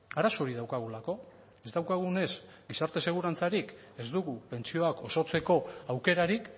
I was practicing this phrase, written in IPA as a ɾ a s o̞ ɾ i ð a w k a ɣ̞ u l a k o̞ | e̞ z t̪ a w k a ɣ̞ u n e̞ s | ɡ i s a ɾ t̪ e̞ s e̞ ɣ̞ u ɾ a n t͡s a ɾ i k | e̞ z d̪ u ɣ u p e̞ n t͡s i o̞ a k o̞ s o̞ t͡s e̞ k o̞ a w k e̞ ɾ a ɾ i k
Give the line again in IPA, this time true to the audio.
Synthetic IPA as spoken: a ɾ a s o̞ ɾ i ð a w k a ɣ̞ u l a k o̞ | e̞ z d̪ a w k a ɣ̞ u n e̞ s | ɡ i s a ɾ t̪ e̞ s e̞ ɣ̞ u ɾ a n t͡s a ɾ i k | e̞ z d̪ u ɣ u p e̞ n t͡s i o̞ a k o̞ s o̞ t͡s e̞ k o̞ a w k e̞ ɾ a ɾ i k